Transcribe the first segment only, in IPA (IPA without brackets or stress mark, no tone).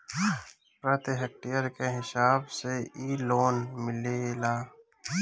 p